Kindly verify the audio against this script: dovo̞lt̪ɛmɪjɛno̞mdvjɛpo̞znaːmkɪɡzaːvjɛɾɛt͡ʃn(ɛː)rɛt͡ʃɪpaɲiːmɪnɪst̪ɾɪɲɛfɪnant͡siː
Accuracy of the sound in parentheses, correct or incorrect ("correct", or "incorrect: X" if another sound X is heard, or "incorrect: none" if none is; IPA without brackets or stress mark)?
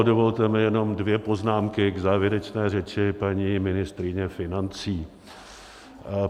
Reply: correct